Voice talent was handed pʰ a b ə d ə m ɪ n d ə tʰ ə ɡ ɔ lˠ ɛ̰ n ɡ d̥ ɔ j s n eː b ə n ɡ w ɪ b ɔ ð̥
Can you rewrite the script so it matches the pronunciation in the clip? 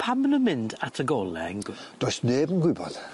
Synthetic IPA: pʰ a m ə n ə m ɪ n d a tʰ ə ɡ ɔ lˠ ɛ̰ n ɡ d̥ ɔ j s n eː b ə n ɡ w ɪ b ɔ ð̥